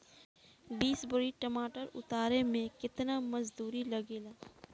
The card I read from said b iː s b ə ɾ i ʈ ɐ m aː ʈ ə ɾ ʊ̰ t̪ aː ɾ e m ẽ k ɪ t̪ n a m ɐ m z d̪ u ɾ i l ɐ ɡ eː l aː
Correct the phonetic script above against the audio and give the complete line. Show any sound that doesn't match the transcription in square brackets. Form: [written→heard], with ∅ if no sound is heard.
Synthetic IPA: b iː s b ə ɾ i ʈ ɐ m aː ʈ ə ɾ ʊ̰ t̪ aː ɾ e m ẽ k ɪ t̪ n a m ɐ [m→∅] z d̪ [u→uː] ɾ i l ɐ ɡ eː l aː

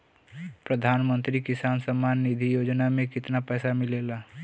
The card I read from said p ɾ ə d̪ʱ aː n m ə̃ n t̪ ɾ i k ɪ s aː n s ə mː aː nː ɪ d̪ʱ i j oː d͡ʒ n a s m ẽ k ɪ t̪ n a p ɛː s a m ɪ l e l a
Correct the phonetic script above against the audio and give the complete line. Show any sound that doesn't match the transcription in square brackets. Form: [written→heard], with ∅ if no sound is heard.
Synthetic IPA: p ɾ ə d̪ʱ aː n m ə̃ n t̪ ɾ i k ɪ s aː n s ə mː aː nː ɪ d̪ʱ i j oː d͡ʒ n a [s→∅] m ẽ k ɪ t̪ n a p ɛː s a m ɪ l e l a

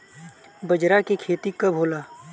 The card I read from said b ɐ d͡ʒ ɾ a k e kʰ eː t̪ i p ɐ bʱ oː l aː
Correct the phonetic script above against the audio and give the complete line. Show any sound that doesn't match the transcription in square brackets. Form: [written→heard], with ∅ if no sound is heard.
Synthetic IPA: b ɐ d͡ʒ ɾ a k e kʰ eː t̪ i [p→k] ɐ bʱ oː l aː

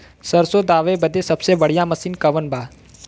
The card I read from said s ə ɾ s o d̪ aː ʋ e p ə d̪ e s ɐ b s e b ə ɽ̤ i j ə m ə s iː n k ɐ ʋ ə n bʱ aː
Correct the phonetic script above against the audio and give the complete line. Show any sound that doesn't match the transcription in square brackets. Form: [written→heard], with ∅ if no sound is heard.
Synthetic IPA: s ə ɾ s o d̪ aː ʋ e [p→b] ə d̪ e s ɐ b s e b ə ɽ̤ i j [ə→a] m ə s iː n k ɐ ʋ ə n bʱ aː

